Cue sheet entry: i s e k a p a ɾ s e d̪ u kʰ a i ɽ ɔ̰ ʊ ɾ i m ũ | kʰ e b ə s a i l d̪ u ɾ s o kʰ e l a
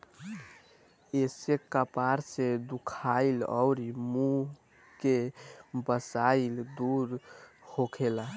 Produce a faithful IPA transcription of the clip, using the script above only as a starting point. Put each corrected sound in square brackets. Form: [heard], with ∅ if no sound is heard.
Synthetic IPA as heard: [e] s e k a p a ɾ s e d̪ u kʰ a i [l] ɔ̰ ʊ ɾ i m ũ | [k] e b ə s a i l d̪ u ɾ [h] o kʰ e l a